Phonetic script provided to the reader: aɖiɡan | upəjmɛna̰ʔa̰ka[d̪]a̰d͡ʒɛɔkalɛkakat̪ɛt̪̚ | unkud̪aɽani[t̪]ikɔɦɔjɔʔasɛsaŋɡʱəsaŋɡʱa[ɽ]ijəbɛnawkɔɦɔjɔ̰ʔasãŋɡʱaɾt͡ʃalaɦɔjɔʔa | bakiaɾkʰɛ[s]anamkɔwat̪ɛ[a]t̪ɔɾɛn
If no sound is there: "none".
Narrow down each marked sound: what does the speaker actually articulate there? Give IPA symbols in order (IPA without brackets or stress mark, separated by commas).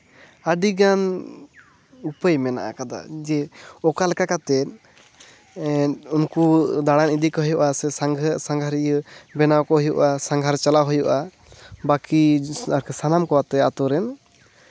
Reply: d̪, d̪, ɾ, s, a